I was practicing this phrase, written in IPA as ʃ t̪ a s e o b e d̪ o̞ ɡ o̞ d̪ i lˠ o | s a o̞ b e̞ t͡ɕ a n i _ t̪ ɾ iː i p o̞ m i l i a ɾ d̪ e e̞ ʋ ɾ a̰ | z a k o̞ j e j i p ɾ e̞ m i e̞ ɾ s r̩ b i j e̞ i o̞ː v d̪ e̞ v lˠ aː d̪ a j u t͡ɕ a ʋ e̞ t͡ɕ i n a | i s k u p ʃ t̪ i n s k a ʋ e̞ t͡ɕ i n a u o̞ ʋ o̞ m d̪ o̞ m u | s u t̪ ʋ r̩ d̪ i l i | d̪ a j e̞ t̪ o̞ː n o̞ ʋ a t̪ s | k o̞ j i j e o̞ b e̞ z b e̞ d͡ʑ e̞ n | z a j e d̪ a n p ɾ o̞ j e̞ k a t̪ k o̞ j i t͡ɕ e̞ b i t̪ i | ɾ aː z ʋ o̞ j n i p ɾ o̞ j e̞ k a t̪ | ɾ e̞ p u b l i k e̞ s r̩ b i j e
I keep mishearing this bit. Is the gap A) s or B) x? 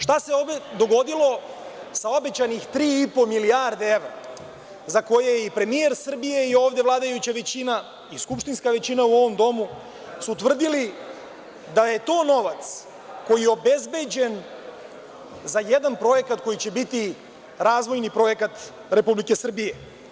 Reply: B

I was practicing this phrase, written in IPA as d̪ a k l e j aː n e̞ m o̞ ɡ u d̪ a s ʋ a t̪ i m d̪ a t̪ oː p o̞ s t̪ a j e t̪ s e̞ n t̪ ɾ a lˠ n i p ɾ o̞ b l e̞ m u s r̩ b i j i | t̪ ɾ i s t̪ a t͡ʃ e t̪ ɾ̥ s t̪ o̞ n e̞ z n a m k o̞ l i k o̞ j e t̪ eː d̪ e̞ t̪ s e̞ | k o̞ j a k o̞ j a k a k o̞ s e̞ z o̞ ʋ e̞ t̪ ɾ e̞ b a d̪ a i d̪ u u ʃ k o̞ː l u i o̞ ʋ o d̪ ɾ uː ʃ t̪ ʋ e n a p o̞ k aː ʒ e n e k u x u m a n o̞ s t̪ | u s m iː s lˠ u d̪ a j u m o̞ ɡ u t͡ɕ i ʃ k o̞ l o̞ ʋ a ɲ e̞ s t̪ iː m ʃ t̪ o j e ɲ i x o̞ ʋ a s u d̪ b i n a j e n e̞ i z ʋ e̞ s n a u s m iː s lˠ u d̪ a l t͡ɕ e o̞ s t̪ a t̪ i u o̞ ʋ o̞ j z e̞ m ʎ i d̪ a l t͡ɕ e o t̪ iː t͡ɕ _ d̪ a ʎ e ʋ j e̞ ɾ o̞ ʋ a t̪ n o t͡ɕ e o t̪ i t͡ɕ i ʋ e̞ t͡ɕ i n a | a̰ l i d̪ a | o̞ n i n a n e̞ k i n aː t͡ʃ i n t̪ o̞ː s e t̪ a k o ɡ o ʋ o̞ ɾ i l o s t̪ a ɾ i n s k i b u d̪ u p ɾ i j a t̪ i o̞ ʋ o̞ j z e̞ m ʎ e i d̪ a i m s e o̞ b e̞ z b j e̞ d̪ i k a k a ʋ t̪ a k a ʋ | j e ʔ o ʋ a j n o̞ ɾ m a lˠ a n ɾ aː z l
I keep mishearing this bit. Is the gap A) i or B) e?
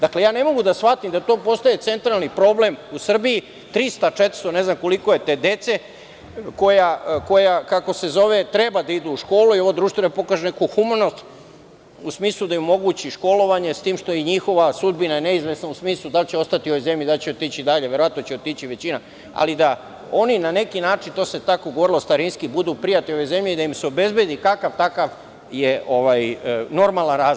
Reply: A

